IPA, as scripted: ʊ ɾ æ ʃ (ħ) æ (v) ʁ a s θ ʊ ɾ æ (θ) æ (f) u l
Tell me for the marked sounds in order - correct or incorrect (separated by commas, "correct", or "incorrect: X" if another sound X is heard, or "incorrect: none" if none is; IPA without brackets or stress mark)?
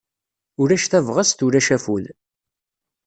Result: incorrect: θ, correct, incorrect: ʃ, correct